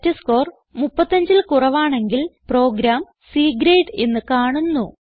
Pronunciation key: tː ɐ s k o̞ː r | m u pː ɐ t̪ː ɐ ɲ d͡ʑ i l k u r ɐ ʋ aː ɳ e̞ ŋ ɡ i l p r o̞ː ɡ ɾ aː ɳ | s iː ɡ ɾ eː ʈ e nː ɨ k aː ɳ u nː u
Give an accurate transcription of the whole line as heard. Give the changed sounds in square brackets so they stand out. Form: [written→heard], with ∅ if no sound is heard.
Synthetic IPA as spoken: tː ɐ s k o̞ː r | m u pː ɐ t̪ː ɐ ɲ d͡ʑ i l k u r ɐ ʋ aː ɳ e̞ ŋ ɡ i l p r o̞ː ɡ ɾ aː [ɳ→m] | s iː ɡ ɾ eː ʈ e nː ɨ k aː ɳ u nː u